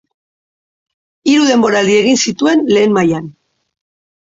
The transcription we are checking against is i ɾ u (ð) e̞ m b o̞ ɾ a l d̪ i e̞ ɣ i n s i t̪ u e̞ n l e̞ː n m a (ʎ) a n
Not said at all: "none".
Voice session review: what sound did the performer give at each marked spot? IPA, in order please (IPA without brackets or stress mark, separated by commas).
ð, j